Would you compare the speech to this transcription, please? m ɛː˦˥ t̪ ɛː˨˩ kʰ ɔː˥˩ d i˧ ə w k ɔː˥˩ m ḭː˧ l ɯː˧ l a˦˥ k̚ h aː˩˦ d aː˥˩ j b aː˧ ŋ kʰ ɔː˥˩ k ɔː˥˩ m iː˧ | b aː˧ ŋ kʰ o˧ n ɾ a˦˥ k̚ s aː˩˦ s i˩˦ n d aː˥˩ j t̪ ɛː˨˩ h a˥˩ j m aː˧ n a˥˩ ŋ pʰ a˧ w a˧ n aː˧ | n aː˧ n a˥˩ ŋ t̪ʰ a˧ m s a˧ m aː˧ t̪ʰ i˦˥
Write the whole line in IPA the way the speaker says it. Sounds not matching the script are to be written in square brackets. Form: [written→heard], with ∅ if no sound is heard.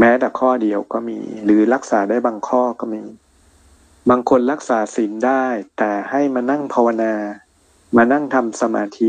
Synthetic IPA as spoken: m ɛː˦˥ t̪ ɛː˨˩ kʰ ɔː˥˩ d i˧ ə w k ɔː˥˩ m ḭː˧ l [ɯː˧→ɯː˩˦] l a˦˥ k̚ [h→s] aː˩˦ d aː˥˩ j b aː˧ ŋ kʰ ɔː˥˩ k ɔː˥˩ m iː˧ | b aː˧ ŋ kʰ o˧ n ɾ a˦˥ k̚ s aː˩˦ s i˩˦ n d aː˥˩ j t̪ ɛː˨˩ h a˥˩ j m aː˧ n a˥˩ ŋ pʰ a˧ w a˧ n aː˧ | [n→m] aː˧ n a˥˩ ŋ t̪ʰ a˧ m s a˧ m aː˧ t̪ʰ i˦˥